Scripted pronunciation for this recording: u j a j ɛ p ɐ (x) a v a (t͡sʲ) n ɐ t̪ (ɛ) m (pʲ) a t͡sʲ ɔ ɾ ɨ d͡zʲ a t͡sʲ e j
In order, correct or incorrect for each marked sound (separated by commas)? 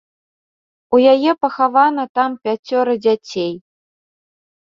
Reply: correct, incorrect, incorrect, correct